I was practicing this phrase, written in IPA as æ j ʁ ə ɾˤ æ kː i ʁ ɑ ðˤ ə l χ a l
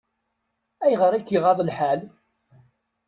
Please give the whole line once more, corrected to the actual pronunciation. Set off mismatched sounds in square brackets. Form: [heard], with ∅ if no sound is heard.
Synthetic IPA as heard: æ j ʁ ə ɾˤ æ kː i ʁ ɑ ðˤ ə l [ħ] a l